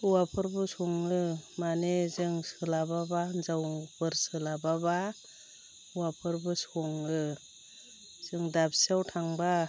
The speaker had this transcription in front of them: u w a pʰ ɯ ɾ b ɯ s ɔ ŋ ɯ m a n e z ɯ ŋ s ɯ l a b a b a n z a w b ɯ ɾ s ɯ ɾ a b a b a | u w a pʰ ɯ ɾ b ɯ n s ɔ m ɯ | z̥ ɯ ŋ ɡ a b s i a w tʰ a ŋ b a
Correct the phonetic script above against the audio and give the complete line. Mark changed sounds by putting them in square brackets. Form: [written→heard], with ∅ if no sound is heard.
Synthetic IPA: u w a pʰ ɯ ɾ b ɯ s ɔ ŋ ɯ m a n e z ɯ ŋ s ɯ l a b a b a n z a w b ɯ ɾ s ɯ [ɾ→l] a b a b a | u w a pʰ ɯ ɾ b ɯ [n→∅] s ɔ [m→ŋ] ɯ | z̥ ɯ ŋ [ɡ→d] a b s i a w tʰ a ŋ b a